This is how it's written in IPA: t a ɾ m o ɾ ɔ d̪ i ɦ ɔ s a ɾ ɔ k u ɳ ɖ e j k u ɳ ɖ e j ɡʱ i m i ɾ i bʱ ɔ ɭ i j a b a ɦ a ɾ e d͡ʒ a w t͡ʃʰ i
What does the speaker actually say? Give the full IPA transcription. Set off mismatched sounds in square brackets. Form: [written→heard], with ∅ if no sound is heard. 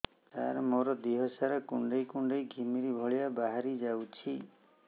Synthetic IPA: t a ɾ m o ɾ ɔ d̪ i ɦ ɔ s a ɾ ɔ k u ɳ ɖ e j k u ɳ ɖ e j ɡʱ i m i ɾ i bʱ ɔ ɭ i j a b a ɦ a ɾ [e→i] d͡ʒ a w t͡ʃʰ i